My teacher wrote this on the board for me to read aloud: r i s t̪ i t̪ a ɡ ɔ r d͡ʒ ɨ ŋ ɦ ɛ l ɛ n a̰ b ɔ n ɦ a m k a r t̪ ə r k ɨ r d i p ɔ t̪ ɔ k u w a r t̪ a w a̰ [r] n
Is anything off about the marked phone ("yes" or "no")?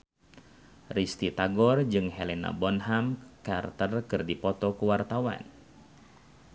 yes